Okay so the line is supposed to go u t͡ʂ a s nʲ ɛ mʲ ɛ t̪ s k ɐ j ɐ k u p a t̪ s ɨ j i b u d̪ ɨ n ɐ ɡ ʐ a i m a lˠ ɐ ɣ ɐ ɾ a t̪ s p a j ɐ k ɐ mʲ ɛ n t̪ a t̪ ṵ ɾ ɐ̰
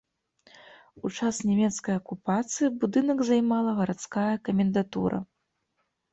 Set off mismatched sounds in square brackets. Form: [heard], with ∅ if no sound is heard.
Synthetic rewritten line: u t͡ʂ a s nʲ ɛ mʲ ɛ t̪ s k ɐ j ɐ k u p a t̪ s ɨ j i b u d̪ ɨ n ɐ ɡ [z] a [j] m a lˠ ɐ ɣ ɐ ɾ a t̪ s [k] a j ɐ k ɐ mʲ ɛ n [d̪] a t̪ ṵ ɾ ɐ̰